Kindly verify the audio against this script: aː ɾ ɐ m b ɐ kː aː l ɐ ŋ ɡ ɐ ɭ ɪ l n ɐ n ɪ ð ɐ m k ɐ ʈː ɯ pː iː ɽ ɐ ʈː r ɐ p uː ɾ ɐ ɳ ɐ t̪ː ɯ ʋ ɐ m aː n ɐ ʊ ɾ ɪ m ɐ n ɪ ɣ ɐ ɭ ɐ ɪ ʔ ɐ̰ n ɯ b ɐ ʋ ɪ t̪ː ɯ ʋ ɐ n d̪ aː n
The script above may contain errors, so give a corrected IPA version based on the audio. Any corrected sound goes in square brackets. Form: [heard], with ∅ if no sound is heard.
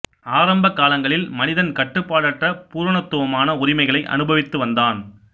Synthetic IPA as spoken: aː ɾ ɐ m b ɐ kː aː l ɐ ŋ ɡ ɐ ɭ ɪ l [m] ɐ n ɪ ð ɐ [n] k ɐ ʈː ɯ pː [aː] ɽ ɐ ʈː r ɐ p uː ɾ ɐ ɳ ɐ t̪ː ɯ ʋ ɐ m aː n ɐ ʊ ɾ ɪ m ɐ [∅] ɪ ɣ ɐ ɭ ɐ ɪ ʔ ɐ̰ n ɯ b ɐ ʋ ɪ t̪ː ɯ ʋ ɐ n d̪ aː n